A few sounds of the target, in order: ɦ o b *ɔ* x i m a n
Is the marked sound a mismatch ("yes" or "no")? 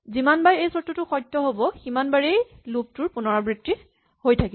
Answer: no